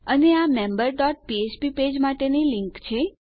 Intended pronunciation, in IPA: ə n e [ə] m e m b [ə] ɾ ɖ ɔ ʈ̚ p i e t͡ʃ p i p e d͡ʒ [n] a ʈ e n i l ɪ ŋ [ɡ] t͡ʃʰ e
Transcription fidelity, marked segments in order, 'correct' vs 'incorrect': incorrect, correct, incorrect, incorrect

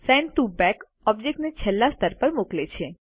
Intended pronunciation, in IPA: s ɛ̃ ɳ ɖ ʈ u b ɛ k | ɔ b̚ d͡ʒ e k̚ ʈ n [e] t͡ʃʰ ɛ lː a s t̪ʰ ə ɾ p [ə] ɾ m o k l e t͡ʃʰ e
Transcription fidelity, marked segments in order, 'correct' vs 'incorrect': correct, correct

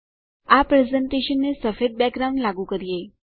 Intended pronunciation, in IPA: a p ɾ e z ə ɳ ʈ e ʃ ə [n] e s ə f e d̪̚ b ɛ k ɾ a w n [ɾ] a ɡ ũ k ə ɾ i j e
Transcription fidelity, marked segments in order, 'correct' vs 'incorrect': incorrect, incorrect

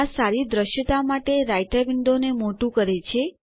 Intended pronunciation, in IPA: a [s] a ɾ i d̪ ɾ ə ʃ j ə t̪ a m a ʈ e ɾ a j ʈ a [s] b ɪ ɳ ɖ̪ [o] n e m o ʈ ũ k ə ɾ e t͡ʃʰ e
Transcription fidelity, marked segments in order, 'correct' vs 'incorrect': correct, incorrect, correct

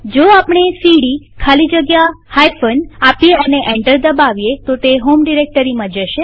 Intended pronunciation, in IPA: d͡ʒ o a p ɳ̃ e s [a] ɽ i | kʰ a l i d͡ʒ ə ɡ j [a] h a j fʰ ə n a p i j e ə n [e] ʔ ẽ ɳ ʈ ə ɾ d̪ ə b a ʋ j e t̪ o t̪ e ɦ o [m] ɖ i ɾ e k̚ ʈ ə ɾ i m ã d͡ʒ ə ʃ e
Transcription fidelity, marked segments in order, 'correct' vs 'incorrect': incorrect, correct, correct, correct

